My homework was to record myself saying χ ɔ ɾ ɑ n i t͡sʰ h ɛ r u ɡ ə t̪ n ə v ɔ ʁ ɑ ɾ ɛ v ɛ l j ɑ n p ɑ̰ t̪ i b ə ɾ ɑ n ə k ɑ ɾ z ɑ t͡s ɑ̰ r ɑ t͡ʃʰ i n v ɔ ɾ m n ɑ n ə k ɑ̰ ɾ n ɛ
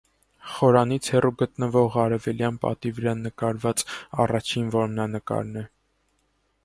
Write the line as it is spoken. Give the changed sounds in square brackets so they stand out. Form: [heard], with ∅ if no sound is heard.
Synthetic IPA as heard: χ ɔ ɾ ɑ n i t͡sʰ h ɛ r u ɡ ə t̪ n ə v ɔ ʁ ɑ ɾ ɛ v ɛ l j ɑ n p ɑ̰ t̪ i [v] ə ɾ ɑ n ə k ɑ ɾ [v] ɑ t͡s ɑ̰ r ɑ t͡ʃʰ i n v ɔ ɾ m n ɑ n ə k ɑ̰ ɾ n ɛ